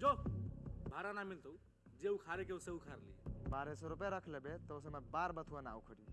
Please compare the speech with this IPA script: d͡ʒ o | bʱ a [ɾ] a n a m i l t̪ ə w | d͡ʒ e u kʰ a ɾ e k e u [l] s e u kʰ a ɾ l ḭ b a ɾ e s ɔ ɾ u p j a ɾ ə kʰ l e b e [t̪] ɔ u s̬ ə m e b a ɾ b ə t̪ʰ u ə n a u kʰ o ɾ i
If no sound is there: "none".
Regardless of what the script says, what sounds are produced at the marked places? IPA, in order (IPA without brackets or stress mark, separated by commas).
ɾ, none, t̪